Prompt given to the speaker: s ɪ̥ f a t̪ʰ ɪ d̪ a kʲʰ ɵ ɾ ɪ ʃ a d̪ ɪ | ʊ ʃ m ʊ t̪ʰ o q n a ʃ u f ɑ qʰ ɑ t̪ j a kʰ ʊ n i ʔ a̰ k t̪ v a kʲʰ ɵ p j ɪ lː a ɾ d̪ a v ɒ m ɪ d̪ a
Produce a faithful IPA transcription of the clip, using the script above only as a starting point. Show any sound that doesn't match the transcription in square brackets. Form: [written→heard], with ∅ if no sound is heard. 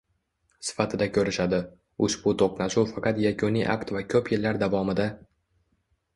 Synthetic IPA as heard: s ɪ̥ f a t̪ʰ ɪ d̪ a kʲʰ ɵ ɾ ɪ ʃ a d̪ ɪ | ʊ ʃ [m→b] ʊ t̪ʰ o q n a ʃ u f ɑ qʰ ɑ t̪ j a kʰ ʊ n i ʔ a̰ k t̪ v a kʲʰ ɵ p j ɪ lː a ɾ d̪ a v ɒ m ɪ d̪ a

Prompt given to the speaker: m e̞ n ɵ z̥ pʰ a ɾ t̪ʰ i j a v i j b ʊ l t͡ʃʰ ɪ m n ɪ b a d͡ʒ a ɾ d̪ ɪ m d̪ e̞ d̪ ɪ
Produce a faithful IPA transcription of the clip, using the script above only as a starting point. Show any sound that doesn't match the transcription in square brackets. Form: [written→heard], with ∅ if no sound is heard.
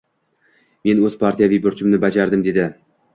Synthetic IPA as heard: m e̞ n ɵ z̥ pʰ a ɾ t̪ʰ i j a v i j b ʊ [l→ɾ] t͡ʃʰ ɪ m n ɪ b a d͡ʒ a ɾ d̪ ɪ m d̪ e̞ d̪ ɪ

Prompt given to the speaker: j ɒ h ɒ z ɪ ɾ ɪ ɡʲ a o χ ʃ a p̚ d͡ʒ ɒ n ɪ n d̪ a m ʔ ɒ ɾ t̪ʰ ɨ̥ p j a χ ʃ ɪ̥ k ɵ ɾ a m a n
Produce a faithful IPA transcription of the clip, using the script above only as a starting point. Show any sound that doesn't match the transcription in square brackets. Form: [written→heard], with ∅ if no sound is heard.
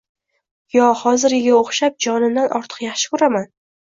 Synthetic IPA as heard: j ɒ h ɒ z ɪ ɾ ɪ ɡʲ a o χ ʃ a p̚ d͡ʒ ɒ n ɪ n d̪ a [m→n] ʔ ɒ ɾ t̪ʰ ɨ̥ [p→q] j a χ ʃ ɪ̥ k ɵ ɾ a m a n

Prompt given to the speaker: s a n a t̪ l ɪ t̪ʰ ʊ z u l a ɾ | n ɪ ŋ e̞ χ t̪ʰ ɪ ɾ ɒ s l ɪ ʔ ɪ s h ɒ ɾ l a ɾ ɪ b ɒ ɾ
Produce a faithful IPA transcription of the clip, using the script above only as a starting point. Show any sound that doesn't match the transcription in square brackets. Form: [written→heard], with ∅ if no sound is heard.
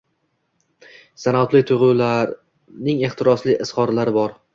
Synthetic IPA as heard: s a n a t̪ l ɪ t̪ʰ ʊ [z→ʁ] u l a ɾ | n ɪ ŋ e̞ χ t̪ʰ ɪ ɾ ɒ s l ɪ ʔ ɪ s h ɒ ɾ l a ɾ ɪ b ɒ ɾ

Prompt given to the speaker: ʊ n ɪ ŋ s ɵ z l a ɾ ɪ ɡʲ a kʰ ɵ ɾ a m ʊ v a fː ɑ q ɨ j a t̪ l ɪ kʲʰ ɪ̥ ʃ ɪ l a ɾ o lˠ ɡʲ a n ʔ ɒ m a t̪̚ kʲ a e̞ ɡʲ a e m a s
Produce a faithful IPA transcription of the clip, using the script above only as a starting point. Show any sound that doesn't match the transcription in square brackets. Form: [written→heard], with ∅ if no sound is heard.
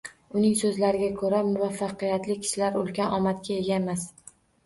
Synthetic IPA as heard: ʊ n ɪ ŋ s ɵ z l a ɾ ɪ ɡʲ a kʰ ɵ ɾ a m ʊ v a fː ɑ q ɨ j a t̪ l ɪ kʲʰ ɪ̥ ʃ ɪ l a ɾ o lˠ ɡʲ a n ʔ ɒ m a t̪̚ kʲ a e̞ ɡʲ a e m a s

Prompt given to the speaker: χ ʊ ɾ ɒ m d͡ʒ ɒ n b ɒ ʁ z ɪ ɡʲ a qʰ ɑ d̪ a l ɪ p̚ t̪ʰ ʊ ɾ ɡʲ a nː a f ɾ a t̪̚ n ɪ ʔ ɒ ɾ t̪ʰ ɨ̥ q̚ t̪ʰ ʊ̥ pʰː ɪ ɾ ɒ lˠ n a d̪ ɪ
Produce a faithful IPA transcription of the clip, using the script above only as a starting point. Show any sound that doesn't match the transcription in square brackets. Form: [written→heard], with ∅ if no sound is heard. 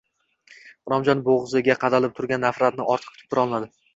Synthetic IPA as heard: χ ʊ ɾ ɒ m d͡ʒ ɒ n b [ɒ→o] ʁ z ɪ ɡʲ a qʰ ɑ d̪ a l ɪ p̚ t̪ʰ ʊ ɾ ɡʲ a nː a f ɾ a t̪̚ n ɪ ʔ ɒ ɾ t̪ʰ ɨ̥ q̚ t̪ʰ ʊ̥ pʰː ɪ ɾ ɒ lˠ n a d̪ ɪ

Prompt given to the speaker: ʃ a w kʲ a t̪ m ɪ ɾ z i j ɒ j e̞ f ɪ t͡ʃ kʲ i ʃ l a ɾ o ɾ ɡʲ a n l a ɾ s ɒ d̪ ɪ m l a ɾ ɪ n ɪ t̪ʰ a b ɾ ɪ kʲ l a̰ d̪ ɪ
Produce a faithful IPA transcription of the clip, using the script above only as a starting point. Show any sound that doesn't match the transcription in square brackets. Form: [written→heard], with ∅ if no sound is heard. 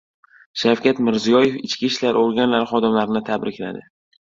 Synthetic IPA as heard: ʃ a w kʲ a t̪ m ɪ ɾ z i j ɒ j e̞ f ɪ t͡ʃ kʲ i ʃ l a ɾ o ɾ ɡʲ a n l a ɾ [s→χ] ɒ d̪ ɪ m l a ɾ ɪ n ɪ t̪ʰ a b ɾ ɪ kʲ l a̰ d̪ ɪ

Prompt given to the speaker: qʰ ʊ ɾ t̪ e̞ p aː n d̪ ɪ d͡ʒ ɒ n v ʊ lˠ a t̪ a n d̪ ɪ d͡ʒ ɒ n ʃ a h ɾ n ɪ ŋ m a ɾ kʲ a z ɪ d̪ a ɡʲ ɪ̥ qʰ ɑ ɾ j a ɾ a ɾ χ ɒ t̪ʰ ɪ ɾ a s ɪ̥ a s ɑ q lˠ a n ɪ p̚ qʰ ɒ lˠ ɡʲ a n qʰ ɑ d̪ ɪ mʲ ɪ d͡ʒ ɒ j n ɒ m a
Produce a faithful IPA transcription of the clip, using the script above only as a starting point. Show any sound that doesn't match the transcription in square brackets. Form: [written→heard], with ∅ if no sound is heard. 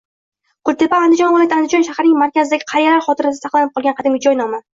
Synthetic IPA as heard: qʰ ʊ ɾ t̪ e̞ p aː n d̪ ɪ d͡ʒ ɒ n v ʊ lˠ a t̪ a n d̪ ɪ d͡ʒ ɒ n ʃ a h ɾ n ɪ ŋ m a ɾ kʲ a z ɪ d̪ a ɡʲ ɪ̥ qʰ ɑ ɾ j a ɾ a ɾ χ ɒ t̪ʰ ɪ ɾ a s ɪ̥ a s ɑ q lˠ a n ɪ p̚ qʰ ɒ lˠ ɡʲ a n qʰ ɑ d̪ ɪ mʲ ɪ d͡ʒ ɒ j n ɒ m a

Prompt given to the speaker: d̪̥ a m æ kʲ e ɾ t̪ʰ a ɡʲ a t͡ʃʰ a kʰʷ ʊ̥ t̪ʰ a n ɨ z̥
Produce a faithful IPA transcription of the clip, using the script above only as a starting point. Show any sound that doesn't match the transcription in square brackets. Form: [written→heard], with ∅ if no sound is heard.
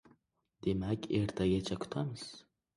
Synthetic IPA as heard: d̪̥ [a→e] m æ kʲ e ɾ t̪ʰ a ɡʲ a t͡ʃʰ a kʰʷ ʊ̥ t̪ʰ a [n→m] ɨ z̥

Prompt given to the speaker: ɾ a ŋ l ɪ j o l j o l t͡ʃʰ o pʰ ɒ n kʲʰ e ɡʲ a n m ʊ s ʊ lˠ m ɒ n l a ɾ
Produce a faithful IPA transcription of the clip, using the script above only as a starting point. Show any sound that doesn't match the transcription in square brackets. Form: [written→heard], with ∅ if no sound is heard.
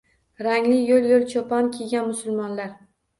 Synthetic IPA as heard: ɾ a ŋ l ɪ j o l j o l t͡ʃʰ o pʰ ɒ n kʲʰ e ɡʲ a n m ʊ s ʊ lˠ m ɒ n l a ɾ

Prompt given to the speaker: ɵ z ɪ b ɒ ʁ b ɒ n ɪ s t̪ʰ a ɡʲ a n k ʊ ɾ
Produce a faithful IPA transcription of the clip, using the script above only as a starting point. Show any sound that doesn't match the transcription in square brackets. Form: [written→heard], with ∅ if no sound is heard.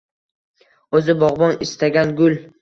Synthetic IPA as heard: ɵ z ɪ b ɒ ʁ b ɒ n ɪ s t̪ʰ a ɡʲ a n [k→ɡ] ʊ [ɾ→l]

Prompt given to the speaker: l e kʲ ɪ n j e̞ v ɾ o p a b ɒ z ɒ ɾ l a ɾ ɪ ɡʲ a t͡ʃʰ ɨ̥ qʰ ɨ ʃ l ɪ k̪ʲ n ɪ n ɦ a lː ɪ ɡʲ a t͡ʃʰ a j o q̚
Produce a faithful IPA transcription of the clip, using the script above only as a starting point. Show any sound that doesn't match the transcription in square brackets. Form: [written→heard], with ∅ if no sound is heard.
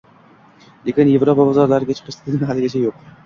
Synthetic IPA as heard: l e kʲ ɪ n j e̞ v ɾ o p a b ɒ z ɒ ɾ l a ɾ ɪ ɡʲ a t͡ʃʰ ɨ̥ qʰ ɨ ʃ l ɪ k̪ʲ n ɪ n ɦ a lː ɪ ɡʲ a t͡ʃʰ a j o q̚

